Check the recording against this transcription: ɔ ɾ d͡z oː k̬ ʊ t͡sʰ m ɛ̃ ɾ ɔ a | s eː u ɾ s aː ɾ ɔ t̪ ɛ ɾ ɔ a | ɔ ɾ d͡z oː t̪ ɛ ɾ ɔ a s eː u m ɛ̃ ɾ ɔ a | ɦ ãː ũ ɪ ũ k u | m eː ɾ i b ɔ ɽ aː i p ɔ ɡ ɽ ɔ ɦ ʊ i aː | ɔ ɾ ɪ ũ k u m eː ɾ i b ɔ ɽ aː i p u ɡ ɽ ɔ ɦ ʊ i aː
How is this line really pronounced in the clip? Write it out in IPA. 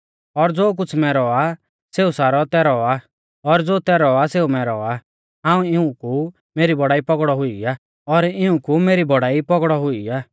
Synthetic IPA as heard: ɔ ɾ d͡z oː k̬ ʊ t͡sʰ m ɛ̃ ɾ ɔ a | s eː u s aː ɾ ɔ t̪ ɛ ɾ ɔ a | ɔ ɾ d͡z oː t̪ ɛ ɾ ɔ a s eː u m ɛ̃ ɾ ɔ a | ɦ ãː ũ ɪ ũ k u | m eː ɾ i b ɔ ɽ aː i p ɔ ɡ ɽ ɔ ɦ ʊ i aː | ɔ ɾ ɪ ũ k u m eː ɾ i b ɔ ɽ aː i p ɔ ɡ ɽ ɔ ɦ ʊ i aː